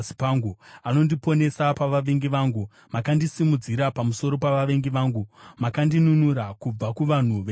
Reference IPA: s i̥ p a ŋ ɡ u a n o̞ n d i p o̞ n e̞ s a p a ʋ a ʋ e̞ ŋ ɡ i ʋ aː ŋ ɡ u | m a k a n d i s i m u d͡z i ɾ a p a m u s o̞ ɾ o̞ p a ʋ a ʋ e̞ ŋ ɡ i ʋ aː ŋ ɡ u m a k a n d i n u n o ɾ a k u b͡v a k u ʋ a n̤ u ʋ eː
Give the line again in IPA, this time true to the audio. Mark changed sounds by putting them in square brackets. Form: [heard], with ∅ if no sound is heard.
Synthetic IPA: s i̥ p a ŋ ɡ u a n o̞ n d i p o̞ n e̞ s a p a ʋ a ʋ e̞ ŋ ɡ i ʋ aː ŋ ɡ u | m a k a n d i s i m u d͡z i ɾ a p a m u s o̞ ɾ o̞ p a ʋ a ʋ e̞ ŋ ɡ i ʋ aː ŋ ɡ u m a k a n d i n u n [u] ɾ a k u b͡v a k u ʋ a n̤ u ʋ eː